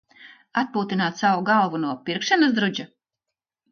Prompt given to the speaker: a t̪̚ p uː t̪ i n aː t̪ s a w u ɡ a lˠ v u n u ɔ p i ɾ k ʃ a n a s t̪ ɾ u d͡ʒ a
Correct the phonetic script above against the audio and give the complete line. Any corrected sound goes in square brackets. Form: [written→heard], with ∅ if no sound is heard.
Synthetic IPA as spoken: a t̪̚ p uː t̪ i n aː t̪ s a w u ɡ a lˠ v u n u ɔ p i ɾ k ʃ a n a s [t̪→d̪] ɾ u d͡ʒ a